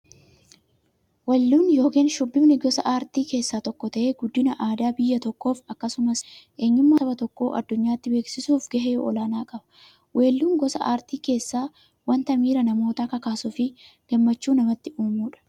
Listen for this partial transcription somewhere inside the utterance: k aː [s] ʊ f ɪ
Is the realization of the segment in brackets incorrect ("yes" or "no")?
no